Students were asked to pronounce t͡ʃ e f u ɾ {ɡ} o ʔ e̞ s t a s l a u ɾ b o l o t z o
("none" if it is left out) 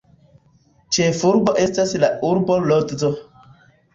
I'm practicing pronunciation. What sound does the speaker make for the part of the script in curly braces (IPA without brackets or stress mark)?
b